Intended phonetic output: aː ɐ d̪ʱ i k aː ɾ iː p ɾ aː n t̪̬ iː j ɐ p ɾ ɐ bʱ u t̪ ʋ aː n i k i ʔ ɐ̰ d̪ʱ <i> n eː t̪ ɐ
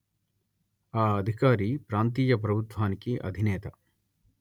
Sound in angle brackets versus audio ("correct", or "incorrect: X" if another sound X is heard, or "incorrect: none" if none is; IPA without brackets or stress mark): correct